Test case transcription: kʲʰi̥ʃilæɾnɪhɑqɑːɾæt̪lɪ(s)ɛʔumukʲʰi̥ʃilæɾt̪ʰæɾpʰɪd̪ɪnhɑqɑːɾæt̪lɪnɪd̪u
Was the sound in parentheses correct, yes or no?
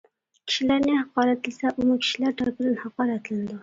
yes